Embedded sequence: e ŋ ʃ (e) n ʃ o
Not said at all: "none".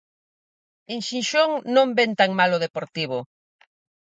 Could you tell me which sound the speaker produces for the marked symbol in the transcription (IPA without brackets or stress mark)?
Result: i